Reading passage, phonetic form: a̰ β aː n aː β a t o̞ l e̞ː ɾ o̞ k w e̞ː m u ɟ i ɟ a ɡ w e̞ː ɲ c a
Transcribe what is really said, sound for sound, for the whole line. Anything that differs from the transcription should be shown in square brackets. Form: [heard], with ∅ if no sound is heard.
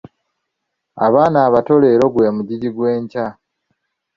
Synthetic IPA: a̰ β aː n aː β a t o̞ l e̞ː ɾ o̞ [ɡ] w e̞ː m u ɟ i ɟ [i] ɡ w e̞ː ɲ c a